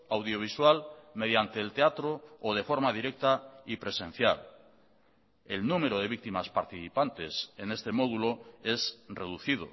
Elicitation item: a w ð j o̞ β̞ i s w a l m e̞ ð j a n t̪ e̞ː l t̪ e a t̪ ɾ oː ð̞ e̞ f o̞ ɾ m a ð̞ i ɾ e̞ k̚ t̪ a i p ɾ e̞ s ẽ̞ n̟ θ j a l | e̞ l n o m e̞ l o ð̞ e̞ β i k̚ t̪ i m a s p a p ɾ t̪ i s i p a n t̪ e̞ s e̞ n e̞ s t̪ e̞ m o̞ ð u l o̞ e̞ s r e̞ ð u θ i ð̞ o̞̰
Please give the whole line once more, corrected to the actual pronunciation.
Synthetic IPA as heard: a w ð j o̞ β̞ i s w a l m e̞ ð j a n t̪ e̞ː l t̪ e a t̪ ɾ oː ð̞ e̞ f o̞ ɾ m a ð̞ i ɾ e̞ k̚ t̪ a i p ɾ e̞ s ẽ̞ n̟ θ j a l | e̞ l n u m e̞ ɾ o ð̞ e̞ β i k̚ t̪ i m a s p a ɾ t̪ i θ i p a n t̪ e̞ s e̞ n e̞ s t̪ e̞ m o̞ ð u l o̞ e̞ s r e̞ ð u θ i ð̞ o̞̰